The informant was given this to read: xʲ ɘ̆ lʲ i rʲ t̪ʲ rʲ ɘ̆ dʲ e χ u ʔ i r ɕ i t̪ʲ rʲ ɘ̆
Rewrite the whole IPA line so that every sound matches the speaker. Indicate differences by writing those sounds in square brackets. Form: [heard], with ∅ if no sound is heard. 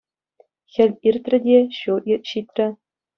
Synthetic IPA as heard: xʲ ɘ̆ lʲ i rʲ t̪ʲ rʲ ɘ̆ dʲ e [ɕ] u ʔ i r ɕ i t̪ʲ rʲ ɘ̆

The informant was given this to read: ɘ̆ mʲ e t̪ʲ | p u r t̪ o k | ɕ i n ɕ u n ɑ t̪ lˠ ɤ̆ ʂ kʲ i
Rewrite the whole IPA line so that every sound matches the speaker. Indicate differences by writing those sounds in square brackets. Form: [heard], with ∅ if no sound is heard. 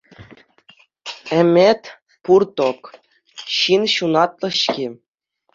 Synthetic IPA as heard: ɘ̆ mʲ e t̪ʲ | p u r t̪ o k | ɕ i n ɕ u n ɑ t̪ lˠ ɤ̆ [ɕ] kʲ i

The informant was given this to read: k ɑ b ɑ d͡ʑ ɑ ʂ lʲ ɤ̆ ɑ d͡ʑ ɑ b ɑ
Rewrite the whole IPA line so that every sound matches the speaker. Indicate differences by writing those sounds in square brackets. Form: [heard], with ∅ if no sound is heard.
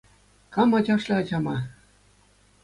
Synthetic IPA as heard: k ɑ [m] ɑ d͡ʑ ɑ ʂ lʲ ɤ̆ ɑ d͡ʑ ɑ [m] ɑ

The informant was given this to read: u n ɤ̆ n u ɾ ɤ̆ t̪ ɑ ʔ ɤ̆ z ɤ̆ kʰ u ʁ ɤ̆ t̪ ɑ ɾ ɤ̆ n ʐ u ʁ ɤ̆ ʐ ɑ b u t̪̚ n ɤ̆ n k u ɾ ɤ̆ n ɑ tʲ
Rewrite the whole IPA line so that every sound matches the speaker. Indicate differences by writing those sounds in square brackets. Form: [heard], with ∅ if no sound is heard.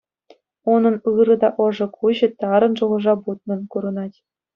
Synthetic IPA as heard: u n ɤ̆ n [ɯ] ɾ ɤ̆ [d̪] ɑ ʔ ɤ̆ [ʐ] ɤ̆ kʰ u [ʑ] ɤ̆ t̪ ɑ ɾ ɤ̆ n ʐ u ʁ ɤ̆ ʐ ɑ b u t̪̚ n ɤ̆ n k u ɾ ɤ̆ n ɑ tʲ

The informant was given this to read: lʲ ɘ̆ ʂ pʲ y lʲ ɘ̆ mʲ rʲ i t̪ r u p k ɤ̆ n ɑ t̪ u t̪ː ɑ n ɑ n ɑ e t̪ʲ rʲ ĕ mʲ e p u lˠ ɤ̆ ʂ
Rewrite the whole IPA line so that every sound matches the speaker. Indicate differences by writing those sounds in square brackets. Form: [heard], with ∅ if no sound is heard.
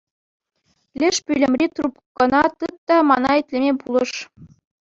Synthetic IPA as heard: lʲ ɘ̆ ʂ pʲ y lʲ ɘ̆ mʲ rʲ i t̪ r u p k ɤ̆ n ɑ t̪ [ɯ] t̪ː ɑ [m] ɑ n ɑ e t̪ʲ [lʲ] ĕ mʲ e p u lˠ ɤ̆ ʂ

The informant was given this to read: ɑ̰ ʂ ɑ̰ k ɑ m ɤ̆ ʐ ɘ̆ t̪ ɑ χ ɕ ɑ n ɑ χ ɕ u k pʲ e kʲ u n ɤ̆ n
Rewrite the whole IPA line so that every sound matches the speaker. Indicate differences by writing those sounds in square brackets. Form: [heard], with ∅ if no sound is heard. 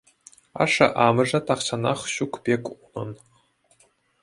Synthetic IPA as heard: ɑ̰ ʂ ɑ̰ [ʔ] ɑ m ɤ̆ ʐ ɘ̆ t̪ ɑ χ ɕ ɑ n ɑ χ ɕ u k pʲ e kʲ u n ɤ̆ n

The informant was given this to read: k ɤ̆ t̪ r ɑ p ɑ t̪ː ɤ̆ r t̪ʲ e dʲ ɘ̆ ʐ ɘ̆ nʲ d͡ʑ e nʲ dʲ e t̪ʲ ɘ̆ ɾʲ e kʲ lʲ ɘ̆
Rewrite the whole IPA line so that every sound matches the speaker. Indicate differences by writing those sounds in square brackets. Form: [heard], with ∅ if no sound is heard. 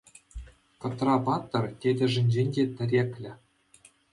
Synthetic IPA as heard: k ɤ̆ t̪ r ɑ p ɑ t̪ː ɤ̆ r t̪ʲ e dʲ ɘ̆ ʐ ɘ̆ nʲ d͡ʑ e nʲ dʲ e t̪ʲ ɘ̆ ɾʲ e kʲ lʲ ɘ̆

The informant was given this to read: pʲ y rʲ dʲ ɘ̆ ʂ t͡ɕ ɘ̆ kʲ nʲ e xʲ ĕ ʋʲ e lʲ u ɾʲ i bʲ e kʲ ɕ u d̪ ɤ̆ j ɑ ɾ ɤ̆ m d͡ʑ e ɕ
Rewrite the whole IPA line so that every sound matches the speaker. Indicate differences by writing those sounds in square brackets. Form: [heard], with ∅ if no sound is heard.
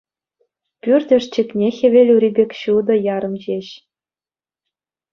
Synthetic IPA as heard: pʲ y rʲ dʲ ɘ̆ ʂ t͡ɕ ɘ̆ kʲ nʲ e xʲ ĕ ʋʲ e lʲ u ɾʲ i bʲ e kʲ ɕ u d̪ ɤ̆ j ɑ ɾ ɤ̆ m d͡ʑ e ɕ

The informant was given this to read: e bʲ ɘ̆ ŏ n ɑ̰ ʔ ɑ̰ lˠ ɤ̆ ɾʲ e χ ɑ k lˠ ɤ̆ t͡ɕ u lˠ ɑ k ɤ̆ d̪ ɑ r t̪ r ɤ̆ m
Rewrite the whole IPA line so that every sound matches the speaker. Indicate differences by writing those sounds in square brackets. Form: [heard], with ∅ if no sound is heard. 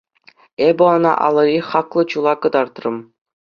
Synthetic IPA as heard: e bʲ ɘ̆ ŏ n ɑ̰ ʔ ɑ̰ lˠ ɤ̆ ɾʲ [i] χ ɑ k lˠ ɤ̆ t͡ɕ u lˠ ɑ k ɤ̆ d̪ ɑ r t̪ r ɤ̆ m

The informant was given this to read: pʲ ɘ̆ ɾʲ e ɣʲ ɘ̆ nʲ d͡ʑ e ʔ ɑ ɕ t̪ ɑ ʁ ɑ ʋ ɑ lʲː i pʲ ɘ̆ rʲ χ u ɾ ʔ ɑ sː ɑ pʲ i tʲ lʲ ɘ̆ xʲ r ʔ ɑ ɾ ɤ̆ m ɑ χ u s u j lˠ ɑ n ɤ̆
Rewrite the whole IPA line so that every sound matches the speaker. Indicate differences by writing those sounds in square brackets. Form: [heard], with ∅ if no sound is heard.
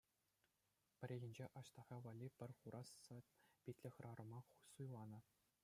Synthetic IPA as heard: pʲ ɘ̆ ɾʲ e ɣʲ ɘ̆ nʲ d͡ʑ e ʔ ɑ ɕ t̪ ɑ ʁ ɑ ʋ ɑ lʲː i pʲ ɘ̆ rʲ χ u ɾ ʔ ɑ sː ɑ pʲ i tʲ lʲ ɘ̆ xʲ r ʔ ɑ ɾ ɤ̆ m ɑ χ u s u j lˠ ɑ n ɤ̆

